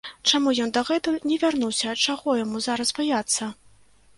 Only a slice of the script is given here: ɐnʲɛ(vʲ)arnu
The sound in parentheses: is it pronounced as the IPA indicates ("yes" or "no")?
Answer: yes